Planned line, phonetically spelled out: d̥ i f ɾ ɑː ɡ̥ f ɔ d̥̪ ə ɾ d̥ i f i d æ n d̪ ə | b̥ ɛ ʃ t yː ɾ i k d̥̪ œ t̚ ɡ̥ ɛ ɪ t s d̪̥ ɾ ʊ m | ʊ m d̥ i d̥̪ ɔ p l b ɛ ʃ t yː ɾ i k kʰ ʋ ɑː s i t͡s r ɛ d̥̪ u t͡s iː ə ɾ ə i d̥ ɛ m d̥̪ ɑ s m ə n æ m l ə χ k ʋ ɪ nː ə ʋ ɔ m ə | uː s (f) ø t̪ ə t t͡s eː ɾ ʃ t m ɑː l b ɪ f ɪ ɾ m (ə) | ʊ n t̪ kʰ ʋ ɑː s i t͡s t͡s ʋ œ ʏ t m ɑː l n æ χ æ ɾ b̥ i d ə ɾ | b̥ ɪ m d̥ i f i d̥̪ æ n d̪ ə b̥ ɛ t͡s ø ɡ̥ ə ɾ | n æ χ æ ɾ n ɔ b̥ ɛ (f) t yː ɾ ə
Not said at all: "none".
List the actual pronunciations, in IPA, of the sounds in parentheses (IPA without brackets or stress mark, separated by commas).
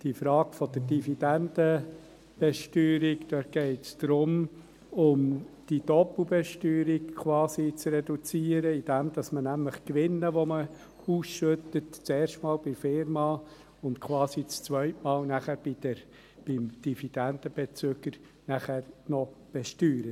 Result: ʃ, ɑ, ʃ